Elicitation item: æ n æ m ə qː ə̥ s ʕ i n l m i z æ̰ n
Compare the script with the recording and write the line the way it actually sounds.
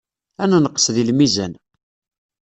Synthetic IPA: æ n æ n ə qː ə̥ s ð i l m i z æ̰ n